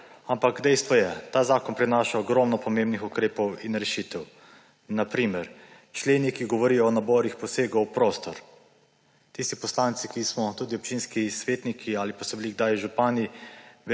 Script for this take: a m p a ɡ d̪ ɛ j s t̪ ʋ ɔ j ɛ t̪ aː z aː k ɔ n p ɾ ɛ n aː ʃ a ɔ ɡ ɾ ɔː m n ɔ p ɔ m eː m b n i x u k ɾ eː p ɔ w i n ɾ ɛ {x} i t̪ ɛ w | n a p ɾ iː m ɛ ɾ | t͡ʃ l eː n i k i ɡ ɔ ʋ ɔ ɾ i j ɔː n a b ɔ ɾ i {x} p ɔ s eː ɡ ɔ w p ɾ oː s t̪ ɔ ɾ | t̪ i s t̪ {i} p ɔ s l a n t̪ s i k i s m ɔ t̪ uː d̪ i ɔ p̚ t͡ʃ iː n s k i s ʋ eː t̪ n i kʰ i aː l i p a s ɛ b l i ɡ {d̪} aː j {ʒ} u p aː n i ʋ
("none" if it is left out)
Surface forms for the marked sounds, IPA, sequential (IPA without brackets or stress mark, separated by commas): ʃ, x, i, d̪, ʒ